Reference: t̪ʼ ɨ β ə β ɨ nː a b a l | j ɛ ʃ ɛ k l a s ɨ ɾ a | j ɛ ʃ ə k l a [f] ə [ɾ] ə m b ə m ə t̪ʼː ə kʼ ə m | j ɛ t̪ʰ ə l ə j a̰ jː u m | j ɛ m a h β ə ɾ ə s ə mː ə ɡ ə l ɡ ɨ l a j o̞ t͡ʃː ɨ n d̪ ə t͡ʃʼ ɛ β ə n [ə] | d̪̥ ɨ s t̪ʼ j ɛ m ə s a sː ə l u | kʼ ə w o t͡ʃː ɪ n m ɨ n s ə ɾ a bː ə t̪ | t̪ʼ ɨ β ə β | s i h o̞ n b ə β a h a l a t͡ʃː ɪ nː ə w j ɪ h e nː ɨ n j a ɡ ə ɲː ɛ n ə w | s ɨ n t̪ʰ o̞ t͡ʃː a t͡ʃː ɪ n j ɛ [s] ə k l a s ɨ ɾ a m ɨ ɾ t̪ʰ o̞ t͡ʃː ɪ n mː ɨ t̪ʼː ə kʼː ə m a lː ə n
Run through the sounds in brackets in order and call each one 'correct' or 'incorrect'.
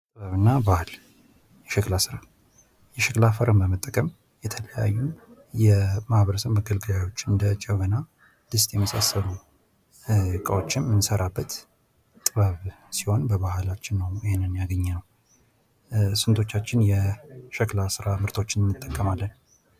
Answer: correct, correct, incorrect: a, incorrect: ʃ

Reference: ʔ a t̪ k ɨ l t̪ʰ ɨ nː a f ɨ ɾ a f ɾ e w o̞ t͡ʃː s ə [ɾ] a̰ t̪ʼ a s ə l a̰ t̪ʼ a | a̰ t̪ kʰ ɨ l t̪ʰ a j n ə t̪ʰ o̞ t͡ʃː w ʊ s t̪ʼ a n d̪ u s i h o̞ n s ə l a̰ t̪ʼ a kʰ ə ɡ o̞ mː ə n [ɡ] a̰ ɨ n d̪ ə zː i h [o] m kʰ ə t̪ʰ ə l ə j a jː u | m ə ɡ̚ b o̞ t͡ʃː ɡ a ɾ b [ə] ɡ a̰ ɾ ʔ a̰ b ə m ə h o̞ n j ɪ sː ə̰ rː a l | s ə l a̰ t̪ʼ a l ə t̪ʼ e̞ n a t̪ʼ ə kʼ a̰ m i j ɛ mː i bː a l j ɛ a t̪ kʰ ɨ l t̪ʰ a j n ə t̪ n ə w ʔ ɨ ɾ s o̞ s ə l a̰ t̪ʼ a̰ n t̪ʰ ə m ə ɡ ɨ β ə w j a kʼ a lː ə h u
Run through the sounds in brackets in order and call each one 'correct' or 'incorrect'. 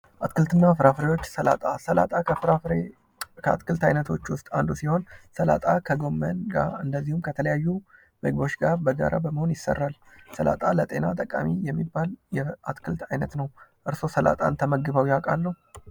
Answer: incorrect: l, correct, incorrect: u, correct

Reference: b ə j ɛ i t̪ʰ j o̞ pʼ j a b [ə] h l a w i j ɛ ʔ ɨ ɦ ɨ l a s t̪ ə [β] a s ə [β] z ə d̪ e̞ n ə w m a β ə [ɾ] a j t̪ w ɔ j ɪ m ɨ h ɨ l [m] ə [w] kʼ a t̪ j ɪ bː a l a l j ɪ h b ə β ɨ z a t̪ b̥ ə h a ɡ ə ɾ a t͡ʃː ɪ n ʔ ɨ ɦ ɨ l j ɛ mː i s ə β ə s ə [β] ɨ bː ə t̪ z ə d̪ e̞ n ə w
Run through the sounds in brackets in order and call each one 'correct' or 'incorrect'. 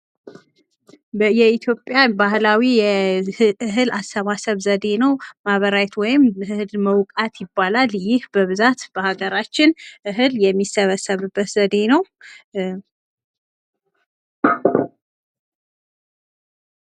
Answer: incorrect: a, correct, correct, correct, correct, correct, correct

